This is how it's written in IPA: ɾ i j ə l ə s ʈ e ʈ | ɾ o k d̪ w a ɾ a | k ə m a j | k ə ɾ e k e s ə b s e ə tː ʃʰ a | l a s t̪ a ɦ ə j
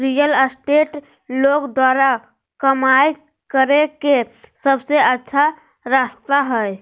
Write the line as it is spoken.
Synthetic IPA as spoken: ɾ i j ə l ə s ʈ e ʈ | l o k d̪ w a ɾ a | k ə m a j | k ə ɾ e k e s ə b s e ə tː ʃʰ a | ɾ a s t̪ a ɦ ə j